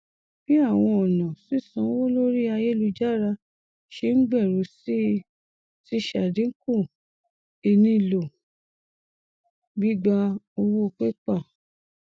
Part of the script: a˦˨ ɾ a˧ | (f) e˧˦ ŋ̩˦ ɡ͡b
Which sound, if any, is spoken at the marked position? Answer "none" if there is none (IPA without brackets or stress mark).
ʃ